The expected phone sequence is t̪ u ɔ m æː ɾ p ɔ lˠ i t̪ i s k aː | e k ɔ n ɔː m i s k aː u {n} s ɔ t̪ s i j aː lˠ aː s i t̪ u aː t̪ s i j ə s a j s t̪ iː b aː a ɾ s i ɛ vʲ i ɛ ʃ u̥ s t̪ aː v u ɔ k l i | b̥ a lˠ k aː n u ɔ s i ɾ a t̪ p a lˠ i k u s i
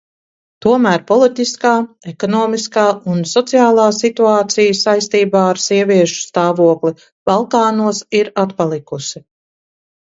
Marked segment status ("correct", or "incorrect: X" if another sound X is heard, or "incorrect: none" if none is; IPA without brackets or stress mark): correct